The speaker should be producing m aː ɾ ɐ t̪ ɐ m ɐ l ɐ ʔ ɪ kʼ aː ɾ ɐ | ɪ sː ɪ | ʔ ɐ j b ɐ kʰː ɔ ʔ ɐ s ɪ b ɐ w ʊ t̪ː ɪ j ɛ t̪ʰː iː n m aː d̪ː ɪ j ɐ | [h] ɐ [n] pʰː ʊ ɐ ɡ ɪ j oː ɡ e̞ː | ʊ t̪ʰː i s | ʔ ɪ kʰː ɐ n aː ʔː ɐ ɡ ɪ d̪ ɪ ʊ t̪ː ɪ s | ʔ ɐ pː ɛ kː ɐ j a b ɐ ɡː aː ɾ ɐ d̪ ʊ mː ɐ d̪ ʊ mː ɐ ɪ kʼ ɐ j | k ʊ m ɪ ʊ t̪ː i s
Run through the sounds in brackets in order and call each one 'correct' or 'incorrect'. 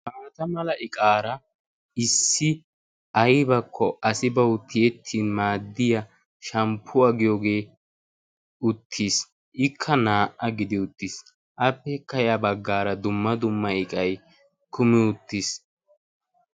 incorrect, incorrect

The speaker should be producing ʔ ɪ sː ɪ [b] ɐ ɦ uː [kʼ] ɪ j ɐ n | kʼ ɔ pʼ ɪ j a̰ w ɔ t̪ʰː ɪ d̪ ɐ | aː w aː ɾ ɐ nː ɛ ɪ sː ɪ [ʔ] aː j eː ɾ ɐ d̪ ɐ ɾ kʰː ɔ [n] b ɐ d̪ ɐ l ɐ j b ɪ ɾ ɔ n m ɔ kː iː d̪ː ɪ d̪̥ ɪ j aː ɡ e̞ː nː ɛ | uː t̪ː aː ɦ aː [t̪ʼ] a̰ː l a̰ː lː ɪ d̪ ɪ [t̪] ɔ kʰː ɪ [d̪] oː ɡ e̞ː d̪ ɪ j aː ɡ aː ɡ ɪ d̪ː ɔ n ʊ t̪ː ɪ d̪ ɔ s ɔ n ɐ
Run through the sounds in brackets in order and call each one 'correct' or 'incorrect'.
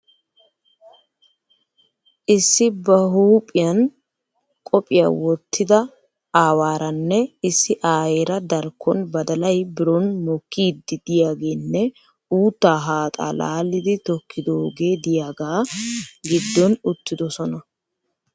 correct, incorrect, correct, correct, correct, correct, correct

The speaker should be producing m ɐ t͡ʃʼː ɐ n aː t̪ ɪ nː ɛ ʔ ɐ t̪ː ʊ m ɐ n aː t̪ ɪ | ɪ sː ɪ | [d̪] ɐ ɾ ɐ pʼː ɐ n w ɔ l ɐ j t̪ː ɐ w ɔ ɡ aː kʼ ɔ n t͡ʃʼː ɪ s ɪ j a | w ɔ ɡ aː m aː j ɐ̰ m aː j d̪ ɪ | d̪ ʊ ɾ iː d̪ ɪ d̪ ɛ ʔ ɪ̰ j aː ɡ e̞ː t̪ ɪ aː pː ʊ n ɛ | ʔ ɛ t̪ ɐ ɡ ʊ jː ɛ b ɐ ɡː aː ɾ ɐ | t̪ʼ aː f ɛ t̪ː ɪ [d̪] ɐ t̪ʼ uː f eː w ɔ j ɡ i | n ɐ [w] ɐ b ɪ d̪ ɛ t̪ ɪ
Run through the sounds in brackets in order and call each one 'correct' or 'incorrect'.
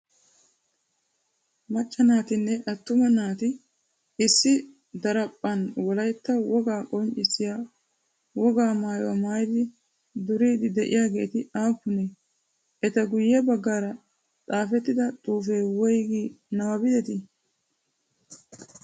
correct, correct, correct

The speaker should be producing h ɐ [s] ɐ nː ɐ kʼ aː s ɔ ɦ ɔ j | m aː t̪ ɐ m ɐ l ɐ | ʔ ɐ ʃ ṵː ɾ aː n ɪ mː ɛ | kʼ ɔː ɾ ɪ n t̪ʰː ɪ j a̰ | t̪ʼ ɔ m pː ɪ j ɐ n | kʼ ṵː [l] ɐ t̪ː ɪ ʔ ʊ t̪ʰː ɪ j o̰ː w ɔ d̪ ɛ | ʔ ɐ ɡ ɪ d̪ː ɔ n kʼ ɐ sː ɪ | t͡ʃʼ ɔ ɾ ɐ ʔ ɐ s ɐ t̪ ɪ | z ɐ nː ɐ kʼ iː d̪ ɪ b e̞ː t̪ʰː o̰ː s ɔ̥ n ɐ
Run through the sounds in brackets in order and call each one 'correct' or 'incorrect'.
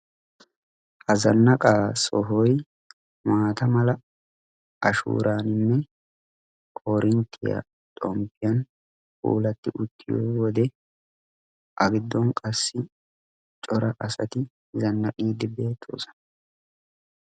incorrect, correct

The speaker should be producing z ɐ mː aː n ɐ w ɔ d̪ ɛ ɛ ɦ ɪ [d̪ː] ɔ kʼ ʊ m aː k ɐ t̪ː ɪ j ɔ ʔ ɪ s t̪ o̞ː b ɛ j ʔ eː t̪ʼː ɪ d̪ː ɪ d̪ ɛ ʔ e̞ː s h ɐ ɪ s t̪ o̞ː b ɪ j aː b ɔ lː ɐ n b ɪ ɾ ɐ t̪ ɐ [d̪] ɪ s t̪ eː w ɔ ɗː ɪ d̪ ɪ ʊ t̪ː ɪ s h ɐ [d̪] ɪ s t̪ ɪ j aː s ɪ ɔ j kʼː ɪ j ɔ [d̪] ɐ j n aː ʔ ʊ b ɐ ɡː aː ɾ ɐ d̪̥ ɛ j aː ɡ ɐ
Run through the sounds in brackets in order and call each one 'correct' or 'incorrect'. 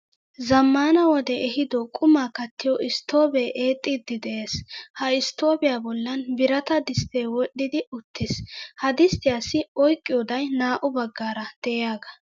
incorrect, correct, correct, correct

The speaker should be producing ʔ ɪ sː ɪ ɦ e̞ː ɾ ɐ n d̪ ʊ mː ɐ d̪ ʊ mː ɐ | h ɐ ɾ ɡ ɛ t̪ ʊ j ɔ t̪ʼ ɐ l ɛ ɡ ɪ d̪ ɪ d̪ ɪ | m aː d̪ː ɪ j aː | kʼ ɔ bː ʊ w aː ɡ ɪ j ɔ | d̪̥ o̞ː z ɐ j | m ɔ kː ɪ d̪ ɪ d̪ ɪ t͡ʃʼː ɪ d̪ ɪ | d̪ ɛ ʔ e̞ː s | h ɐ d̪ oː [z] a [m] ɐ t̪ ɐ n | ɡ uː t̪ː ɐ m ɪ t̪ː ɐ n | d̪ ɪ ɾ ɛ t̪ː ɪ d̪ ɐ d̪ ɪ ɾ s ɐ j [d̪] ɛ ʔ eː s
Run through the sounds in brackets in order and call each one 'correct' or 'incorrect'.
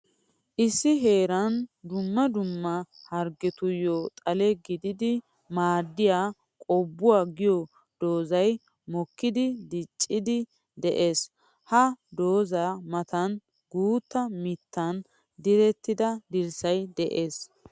correct, correct, correct

